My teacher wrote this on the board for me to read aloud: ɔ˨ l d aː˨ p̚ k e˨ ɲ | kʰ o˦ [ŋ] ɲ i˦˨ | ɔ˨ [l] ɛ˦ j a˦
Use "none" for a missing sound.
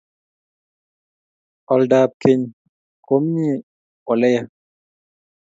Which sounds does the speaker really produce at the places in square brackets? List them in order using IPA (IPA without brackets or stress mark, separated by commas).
m, l